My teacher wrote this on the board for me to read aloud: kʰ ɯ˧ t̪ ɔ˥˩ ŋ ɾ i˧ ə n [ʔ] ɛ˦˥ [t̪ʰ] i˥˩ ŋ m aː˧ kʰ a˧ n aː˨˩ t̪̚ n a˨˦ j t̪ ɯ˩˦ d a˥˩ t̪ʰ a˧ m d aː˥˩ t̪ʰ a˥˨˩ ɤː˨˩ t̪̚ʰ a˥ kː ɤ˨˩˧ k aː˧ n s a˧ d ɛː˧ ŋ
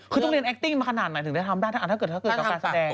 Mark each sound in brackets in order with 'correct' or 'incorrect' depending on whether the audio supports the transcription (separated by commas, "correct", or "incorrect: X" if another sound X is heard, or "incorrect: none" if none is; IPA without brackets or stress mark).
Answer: correct, incorrect: t̪